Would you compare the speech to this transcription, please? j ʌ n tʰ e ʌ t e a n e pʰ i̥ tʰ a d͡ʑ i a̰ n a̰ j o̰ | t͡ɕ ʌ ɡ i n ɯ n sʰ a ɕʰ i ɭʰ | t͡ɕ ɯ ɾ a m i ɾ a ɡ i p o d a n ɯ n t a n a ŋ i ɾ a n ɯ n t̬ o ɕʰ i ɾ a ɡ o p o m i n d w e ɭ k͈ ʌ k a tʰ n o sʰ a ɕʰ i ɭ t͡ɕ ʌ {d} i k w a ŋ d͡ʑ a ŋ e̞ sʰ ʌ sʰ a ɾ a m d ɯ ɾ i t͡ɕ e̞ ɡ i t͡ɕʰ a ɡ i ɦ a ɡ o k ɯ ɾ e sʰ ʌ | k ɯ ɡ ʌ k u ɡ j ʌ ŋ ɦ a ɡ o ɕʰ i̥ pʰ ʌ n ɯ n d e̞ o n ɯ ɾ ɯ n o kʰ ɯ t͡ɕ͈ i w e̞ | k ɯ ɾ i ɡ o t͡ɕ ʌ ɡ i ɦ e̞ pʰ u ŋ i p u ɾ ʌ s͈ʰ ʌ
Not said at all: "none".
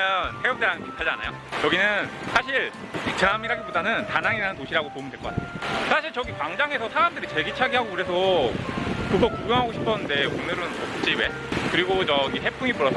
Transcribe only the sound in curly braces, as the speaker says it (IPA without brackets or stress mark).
ɡ